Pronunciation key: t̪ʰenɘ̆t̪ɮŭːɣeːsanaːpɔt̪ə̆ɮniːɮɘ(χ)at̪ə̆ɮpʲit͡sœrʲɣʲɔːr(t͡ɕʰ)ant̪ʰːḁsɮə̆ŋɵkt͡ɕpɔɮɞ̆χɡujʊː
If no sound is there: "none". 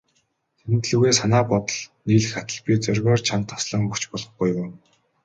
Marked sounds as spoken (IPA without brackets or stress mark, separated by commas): x, t͡ɕʰ